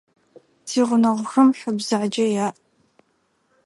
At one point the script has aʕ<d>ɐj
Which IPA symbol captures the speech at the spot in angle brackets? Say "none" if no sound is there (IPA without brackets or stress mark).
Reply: d͡ʒ